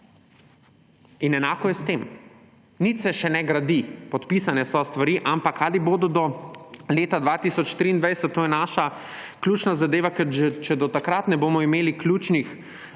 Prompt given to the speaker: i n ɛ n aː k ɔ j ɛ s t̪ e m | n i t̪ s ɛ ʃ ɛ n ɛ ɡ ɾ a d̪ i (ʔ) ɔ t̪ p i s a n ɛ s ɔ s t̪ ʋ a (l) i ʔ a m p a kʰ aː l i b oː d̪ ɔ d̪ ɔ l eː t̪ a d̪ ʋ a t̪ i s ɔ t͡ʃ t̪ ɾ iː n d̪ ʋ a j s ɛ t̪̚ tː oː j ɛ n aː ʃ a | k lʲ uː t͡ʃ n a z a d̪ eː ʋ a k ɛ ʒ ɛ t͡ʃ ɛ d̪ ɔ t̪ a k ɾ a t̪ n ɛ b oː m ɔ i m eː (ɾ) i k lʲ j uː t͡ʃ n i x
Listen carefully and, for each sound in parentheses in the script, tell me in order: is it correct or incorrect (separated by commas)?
incorrect, incorrect, incorrect